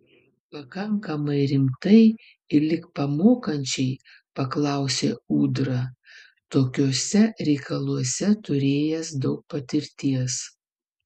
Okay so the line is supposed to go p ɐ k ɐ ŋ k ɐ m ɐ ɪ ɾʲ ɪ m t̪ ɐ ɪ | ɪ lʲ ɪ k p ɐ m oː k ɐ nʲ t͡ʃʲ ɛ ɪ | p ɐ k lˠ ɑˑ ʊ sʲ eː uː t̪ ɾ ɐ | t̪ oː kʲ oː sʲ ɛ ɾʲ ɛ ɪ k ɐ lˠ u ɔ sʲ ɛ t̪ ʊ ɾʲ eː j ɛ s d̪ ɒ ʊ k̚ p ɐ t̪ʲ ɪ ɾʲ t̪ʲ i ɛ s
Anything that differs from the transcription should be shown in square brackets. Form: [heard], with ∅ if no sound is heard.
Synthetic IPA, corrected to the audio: p ɐ k ɐ ŋ k ɐ m ɐ ɪ ɾʲ ɪ m t̪ ɐ ɪ | ɪ lʲ ɪ k p ɐ m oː k ɐ nʲ t͡ʃʲ ɛ ɪ | p ɐ k lˠ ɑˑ ʊ sʲ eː uː [d̪] ɾ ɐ | t̪ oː kʲ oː sʲ ɛ ɾʲ ɛ ɪ k ɐ lˠ u ɔ sʲ ɛ t̪ ʊ ɾʲ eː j ɛ s d̪ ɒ ʊ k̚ p ɐ t̪ʲ ɪ ɾʲ t̪ʲ i ɛ s